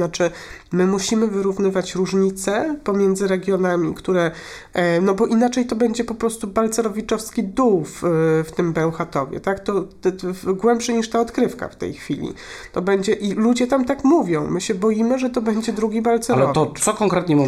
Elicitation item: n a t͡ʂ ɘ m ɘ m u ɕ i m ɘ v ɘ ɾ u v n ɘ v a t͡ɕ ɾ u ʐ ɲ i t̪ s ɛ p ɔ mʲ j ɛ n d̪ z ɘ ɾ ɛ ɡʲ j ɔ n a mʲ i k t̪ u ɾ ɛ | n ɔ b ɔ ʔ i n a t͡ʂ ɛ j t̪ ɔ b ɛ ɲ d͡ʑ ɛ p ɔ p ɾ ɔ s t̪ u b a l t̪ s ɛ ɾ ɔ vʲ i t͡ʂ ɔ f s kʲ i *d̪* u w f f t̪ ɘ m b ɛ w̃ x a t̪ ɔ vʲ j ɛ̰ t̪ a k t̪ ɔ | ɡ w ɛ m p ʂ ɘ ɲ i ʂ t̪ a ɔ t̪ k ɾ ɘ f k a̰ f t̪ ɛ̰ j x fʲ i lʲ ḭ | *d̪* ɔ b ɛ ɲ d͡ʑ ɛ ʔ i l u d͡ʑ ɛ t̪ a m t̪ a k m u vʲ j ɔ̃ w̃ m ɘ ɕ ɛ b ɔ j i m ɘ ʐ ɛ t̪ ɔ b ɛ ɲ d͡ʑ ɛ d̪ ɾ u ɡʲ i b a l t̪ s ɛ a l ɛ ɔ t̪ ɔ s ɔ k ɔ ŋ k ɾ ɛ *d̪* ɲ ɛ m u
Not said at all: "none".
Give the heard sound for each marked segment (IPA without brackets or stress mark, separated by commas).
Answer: d̪, t̪, t̪